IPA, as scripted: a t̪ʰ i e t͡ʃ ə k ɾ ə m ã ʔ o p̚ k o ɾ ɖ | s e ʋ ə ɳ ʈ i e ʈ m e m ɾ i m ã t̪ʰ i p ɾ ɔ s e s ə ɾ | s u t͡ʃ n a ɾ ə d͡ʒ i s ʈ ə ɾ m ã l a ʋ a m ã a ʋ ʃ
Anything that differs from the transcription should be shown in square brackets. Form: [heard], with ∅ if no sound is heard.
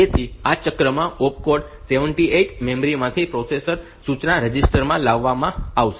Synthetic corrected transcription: [e] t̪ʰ i [a] t͡ʃ ə k ɾ ə m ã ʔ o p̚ k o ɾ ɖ | s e ʋ ə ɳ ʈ i e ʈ m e m ɾ i m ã t̪ʰ i p ɾ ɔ s e s ə ɾ | s u t͡ʃ n a ɾ ə d͡ʒ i s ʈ ə ɾ m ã l a [ʋː] a m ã a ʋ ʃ